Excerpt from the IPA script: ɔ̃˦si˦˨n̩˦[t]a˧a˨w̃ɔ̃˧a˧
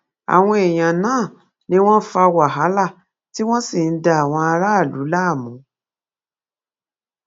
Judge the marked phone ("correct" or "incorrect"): incorrect